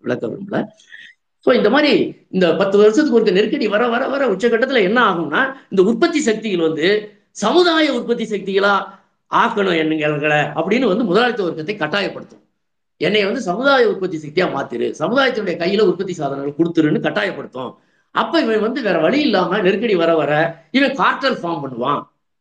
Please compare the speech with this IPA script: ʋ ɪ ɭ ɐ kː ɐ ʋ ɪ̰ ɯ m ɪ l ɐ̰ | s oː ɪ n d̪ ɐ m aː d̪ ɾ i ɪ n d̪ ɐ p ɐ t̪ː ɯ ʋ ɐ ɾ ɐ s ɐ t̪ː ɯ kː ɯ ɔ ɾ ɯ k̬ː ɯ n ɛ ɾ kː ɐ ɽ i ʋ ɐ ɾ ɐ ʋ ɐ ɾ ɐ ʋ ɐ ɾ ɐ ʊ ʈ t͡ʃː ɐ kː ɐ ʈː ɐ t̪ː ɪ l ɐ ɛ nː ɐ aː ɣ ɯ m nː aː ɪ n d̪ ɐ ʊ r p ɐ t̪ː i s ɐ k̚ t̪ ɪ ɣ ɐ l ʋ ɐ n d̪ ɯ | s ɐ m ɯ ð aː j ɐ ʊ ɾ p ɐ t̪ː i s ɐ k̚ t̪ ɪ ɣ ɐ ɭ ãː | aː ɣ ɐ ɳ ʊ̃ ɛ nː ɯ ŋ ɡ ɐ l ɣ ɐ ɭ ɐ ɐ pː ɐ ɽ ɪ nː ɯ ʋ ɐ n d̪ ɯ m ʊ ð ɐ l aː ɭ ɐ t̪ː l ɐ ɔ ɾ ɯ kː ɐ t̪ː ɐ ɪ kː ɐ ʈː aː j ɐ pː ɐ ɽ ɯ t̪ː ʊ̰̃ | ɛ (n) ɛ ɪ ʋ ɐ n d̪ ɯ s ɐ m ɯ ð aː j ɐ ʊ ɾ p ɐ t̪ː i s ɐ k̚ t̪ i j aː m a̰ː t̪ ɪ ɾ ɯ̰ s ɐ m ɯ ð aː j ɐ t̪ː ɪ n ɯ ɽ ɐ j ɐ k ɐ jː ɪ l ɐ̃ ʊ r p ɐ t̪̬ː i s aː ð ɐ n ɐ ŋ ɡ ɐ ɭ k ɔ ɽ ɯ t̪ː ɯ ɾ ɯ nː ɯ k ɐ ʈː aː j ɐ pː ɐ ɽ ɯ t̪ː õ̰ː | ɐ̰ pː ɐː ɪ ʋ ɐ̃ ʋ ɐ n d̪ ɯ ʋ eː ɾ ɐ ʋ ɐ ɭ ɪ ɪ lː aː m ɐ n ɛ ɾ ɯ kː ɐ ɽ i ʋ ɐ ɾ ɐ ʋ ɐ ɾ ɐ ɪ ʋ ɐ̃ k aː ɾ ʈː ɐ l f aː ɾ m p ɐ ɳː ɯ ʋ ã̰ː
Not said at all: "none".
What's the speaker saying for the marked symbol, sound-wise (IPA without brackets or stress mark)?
nː